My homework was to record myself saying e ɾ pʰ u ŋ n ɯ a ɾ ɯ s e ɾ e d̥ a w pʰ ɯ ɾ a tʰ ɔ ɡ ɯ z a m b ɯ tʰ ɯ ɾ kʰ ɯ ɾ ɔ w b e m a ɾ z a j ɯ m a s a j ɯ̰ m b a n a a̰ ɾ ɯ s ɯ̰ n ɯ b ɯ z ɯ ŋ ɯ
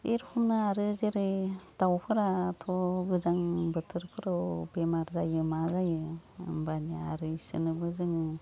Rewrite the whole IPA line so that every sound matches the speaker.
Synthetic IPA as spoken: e ɾ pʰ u m n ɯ a ɾ ɯ z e ɾ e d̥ a w pʰ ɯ ɾ a tʰ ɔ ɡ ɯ z a ŋ b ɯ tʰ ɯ ɾ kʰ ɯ ɾ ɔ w b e m a ɾ z a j ɯ m a z a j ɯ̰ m b a n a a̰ ɾ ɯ s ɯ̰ n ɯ b ɯ z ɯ ŋ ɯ